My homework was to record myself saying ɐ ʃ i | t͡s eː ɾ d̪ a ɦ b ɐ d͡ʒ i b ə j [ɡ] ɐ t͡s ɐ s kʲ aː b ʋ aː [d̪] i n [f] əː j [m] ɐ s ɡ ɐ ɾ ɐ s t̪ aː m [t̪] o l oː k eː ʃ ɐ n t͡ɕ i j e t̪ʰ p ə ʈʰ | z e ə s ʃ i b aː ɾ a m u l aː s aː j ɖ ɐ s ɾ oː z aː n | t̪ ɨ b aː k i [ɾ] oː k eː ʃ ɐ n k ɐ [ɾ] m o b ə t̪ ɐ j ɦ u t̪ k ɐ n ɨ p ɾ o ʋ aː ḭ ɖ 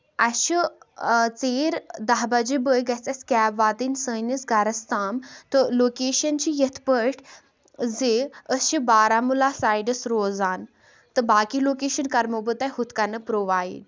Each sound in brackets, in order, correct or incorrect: correct, incorrect: t̪, incorrect: s, incorrect: n, correct, incorrect: l, correct

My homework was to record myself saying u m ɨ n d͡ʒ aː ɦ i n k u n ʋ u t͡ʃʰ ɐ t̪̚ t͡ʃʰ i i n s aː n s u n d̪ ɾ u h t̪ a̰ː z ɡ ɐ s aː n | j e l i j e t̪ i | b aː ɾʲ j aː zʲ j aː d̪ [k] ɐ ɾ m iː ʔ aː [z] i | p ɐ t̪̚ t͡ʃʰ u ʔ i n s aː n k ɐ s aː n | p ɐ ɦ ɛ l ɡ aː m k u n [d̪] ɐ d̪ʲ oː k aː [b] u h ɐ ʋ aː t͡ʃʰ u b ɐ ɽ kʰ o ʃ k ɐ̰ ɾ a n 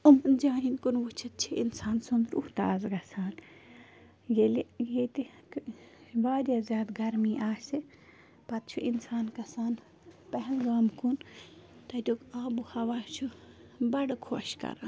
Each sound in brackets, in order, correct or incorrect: incorrect: ɡ, incorrect: s, incorrect: t̪, correct

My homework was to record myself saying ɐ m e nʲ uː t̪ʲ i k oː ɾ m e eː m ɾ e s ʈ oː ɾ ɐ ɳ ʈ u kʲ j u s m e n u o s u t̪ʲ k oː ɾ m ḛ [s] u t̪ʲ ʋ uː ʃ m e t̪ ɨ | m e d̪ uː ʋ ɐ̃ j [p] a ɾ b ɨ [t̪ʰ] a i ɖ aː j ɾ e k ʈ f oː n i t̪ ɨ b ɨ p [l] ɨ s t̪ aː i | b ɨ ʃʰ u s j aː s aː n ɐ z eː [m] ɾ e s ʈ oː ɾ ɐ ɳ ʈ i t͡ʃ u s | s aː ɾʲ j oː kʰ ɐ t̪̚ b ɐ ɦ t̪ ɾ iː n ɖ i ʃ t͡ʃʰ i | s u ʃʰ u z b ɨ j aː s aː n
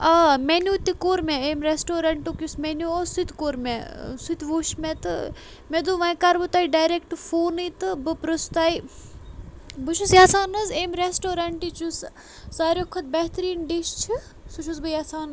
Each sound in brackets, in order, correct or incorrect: correct, incorrect: k, incorrect: t̪, incorrect: ɾ, correct

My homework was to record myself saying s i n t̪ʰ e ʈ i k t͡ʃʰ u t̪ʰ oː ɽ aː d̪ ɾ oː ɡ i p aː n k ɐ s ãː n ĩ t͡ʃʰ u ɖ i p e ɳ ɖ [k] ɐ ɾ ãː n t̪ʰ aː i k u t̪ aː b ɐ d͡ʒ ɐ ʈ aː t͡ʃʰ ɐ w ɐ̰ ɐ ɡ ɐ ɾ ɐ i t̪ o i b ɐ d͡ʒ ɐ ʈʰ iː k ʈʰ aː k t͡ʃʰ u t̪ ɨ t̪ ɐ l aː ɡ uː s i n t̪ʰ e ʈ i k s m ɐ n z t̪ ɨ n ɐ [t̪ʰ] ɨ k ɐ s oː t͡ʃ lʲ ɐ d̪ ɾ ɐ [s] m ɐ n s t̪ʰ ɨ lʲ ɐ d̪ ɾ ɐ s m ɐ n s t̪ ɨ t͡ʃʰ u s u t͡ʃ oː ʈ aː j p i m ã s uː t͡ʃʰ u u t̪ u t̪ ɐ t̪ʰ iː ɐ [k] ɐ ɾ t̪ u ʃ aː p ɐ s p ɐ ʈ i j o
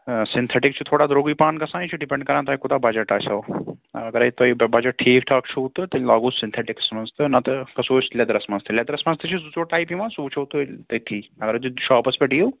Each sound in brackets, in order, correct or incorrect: correct, incorrect: t̪, correct, incorrect: ɡ

